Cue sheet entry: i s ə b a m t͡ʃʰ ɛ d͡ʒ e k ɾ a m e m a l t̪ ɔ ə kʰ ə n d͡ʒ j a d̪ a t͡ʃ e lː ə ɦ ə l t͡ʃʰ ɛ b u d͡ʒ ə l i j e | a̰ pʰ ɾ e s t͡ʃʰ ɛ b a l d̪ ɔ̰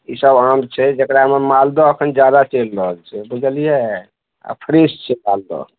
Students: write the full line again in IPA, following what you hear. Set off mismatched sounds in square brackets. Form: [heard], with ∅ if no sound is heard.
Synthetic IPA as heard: i s ə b a m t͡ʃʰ ɛ d͡ʒ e k ɾ a m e m a l [d̪] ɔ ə kʰ ə n d͡ʒ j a d̪ a t͡ʃ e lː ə ɦ ə l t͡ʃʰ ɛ b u d͡ʒ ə l i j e | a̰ pʰ ɾ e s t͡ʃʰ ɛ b a l d̪ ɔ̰